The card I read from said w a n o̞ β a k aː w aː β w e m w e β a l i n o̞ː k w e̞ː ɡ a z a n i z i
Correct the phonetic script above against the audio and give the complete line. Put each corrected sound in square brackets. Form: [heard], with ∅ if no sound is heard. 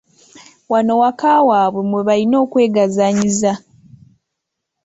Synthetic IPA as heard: w a n o̞ [w] a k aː w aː β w e m w e β a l i n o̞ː k w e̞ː ɡ a z a [ɲ] i z [a]